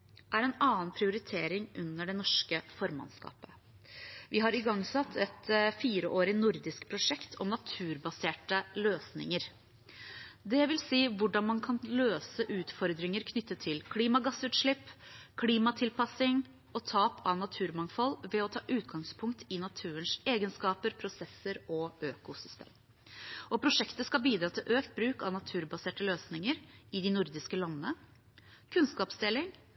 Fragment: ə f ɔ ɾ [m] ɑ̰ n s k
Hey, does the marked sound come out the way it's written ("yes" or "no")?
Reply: yes